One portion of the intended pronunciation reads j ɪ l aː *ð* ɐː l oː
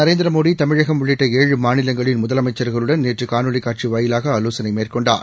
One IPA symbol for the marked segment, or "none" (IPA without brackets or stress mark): ɣ